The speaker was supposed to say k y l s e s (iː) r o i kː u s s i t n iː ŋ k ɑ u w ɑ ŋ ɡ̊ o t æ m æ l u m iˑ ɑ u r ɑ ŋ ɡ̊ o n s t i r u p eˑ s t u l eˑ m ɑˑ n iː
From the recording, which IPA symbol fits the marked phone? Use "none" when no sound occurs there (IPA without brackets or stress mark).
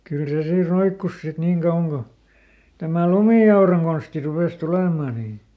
iː